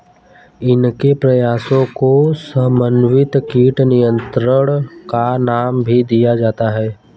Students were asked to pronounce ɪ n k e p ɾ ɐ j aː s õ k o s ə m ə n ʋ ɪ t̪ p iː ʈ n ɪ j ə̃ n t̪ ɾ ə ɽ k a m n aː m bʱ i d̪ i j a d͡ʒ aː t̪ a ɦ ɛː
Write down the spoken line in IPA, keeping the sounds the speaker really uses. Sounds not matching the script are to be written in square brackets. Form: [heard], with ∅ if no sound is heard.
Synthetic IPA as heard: ɪ n k e p ɾ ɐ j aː s õ k o s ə m ə n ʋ ɪ t̪ [k] iː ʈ n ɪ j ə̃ n t̪ ɾ ə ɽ k a [∅] n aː m bʱ i d̪ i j a d͡ʒ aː t̪ a ɦ ɛː

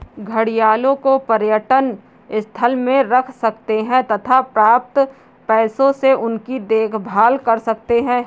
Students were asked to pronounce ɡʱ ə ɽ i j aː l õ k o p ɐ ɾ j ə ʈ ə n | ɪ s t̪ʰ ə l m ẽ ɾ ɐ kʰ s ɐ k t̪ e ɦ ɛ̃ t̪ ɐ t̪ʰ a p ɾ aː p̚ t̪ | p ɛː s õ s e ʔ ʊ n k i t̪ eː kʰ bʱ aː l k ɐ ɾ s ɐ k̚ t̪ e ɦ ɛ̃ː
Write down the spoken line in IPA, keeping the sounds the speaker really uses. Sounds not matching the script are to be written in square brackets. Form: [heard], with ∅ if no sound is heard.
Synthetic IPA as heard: ɡʱ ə ɽ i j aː l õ k o p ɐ ɾ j ə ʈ ə n | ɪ s t̪ʰ ə l m ẽ ɾ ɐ kʰ s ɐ k t̪ e ɦ ɛ̃ t̪ ɐ t̪ʰ a p ɾ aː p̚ t̪ | p ɛː s õ s e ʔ ʊ n k i [d̪] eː kʰ bʱ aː l k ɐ ɾ s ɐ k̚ t̪ e ɦ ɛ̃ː

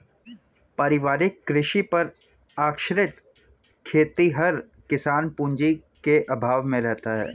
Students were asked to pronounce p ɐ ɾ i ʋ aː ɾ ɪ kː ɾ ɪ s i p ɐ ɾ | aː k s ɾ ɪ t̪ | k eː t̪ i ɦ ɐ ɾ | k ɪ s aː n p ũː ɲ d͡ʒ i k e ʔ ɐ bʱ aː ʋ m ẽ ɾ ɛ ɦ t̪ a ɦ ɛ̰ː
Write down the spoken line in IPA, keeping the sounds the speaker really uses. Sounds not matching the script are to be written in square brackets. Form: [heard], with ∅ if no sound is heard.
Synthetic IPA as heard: p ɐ ɾ [ɪ] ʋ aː ɾ ɪ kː ɾ ɪ [ʃ] i p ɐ ɾ | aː k [ʃ] ɾ ɪ t̪ | [kʰ] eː t̪ i ɦ ɐ ɾ | k ɪ s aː n p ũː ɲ d͡ʒ i k e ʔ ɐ bʱ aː ʋ m ẽ ɾ ɛ ɦ t̪ a ɦ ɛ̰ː

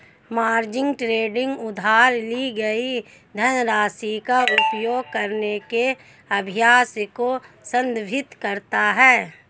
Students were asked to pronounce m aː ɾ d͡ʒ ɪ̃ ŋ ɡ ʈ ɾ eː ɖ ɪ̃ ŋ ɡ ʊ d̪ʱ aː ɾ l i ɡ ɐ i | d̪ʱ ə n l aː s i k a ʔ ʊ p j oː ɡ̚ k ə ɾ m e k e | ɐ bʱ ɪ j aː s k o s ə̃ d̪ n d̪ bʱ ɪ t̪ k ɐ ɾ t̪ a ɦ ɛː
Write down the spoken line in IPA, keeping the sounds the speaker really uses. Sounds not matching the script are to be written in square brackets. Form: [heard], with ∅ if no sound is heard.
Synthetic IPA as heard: m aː ɾ d͡ʒ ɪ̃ ŋ ɡ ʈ ɾ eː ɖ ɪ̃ ŋ ɡ ʊ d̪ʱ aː ɾ l i ɡ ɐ i | d̪ʱ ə n [ɾ] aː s i k a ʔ ʊ p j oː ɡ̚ k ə ɾ [n] e k e | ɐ bʱ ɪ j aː s k o s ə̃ [∅] n d̪ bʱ ɪ t̪ k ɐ ɾ t̪ a ɦ ɛː

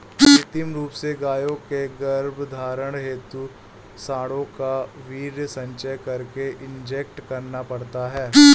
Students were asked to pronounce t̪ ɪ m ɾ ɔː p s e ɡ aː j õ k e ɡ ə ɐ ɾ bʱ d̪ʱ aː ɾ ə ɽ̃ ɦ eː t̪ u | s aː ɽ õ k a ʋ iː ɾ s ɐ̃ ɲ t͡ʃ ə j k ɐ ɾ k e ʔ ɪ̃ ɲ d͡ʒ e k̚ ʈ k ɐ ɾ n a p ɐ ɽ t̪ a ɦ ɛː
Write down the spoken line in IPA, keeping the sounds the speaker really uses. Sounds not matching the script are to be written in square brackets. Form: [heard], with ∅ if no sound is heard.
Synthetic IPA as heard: t̪ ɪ m ɾ [uː] p s e ɡ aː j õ k e ɡ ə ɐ ɾ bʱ d̪ʱ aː ɾ ə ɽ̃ ɦ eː t̪ u | s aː ɽ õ k a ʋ iː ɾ s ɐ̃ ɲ t͡ʃ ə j k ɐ ɾ k e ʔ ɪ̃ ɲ d͡ʒ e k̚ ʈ k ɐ ɾ n a p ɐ ɽ t̪ a ɦ ɛː

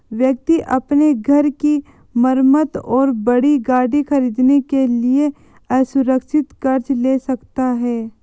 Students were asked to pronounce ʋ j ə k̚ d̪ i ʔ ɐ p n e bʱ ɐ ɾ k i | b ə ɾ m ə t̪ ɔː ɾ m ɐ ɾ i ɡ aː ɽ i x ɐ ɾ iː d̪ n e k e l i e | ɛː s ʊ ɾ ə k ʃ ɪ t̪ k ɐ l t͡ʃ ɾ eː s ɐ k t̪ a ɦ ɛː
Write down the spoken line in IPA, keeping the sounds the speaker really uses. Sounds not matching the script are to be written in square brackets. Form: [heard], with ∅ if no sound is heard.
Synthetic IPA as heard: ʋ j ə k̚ [t̪] i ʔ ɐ p n e [ɡʱ] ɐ ɾ k i | [m] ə ɾ m ə t̪ ɔː ɾ [b] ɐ [ɽ] i ɡ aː ɽ i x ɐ ɾ iː d̪ n e k e l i e | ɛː s ʊ ɾ ə k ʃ ɪ t̪ k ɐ [ɾ] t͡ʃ [l] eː s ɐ k t̪ a ɦ ɛː

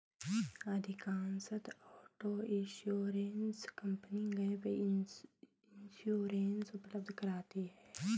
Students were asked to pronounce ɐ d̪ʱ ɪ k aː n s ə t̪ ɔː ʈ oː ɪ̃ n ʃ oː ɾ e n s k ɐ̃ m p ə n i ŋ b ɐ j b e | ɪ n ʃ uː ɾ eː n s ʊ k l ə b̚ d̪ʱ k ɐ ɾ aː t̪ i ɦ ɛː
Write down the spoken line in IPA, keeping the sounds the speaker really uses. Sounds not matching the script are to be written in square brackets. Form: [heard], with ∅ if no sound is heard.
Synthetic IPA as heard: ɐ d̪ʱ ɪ k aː n s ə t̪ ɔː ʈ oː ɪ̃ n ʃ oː ɾ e n s k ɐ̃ m p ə n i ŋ [ɡ] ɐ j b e | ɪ n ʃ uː ɾ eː n s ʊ [p] l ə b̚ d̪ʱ k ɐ ɾ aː t̪ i ɦ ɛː

